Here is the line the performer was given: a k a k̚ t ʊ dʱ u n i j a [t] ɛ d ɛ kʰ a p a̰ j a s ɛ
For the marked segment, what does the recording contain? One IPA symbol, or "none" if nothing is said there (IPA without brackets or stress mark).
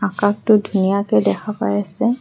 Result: k